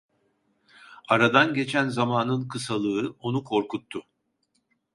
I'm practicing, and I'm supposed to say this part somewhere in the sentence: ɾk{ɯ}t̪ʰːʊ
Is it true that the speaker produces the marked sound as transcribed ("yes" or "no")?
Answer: no